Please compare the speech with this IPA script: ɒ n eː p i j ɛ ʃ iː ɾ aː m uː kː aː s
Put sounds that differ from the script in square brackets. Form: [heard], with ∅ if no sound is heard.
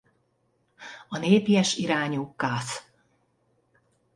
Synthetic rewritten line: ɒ n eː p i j ɛ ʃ [i] ɾ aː [ɲ] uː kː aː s